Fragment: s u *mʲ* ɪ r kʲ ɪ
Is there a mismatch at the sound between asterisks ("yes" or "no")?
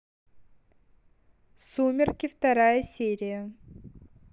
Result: no